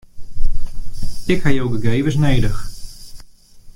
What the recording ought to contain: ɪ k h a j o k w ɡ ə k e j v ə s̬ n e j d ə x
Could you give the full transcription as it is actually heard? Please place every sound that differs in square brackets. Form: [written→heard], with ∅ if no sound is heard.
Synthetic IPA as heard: ɪ k h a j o [k→∅] w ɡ ə [k→ɡ] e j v ə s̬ n e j d ə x